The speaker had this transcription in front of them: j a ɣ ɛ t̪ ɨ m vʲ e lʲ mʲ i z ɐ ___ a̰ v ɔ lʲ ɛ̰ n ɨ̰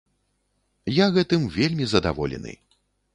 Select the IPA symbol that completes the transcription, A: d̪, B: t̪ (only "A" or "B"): A